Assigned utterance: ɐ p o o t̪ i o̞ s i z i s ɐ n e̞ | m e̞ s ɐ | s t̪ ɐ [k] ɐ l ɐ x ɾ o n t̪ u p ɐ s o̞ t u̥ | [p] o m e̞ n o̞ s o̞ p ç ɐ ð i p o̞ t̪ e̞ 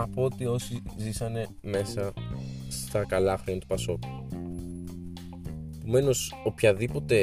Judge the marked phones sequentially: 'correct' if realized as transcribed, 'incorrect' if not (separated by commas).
correct, correct